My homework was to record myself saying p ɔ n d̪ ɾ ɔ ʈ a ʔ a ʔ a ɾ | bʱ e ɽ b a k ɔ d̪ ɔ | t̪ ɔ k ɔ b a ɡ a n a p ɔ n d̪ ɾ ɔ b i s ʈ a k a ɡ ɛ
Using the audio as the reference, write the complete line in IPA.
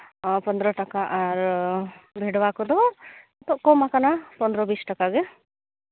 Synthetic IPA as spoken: p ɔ n d̪ ɾ ɔ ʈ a k a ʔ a ɾ | bʱ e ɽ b a k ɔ d̪ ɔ | t̪ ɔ k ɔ m a k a n a p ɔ n d̪ ɾ ɔ b i s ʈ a k a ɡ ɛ